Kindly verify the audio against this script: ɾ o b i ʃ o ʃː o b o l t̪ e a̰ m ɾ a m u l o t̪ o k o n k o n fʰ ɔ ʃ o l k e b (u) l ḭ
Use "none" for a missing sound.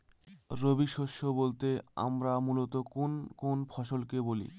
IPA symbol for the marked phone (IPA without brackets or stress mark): o